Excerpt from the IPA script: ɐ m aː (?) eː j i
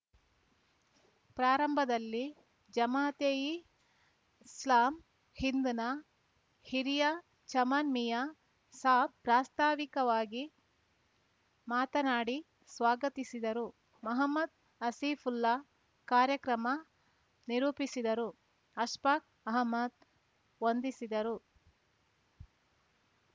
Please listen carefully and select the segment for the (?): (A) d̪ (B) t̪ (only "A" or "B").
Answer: B